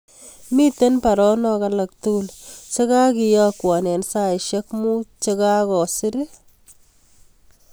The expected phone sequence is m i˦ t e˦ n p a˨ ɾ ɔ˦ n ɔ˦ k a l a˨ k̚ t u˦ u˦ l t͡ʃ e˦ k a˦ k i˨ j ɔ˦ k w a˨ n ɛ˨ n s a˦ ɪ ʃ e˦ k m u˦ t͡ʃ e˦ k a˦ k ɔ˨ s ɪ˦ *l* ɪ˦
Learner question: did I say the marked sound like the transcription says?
no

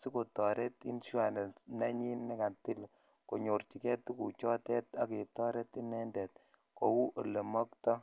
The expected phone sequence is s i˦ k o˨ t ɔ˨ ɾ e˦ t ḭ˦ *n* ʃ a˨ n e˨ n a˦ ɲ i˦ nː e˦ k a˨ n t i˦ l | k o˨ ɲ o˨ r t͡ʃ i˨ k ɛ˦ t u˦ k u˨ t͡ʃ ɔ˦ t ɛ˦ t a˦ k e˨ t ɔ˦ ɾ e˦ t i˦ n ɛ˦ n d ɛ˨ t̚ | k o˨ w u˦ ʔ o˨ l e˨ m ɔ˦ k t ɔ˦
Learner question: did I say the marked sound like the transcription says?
yes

